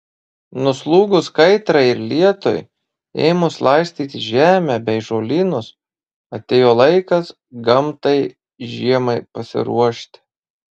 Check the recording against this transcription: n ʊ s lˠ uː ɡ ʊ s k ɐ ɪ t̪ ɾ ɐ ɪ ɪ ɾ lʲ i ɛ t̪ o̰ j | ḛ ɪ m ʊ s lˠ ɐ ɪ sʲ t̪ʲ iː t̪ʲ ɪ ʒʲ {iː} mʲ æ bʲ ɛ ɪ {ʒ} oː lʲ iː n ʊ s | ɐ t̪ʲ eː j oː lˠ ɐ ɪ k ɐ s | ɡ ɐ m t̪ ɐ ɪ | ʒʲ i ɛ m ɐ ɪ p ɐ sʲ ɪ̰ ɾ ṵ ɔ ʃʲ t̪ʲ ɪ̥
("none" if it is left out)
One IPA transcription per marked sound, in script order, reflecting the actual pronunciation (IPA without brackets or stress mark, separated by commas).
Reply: æː, ʒ